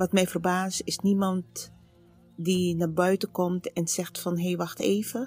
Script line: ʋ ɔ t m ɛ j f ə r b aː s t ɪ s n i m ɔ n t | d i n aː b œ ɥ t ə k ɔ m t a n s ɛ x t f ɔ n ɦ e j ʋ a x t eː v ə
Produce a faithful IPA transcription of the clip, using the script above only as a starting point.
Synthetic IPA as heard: ʋ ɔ t m ɛ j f ə r b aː s t ɪ s n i m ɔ n t | d i n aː b œ ɥ t ə k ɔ m t ɛ n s ɛ x t f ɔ n ɦ e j ʋ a x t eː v ə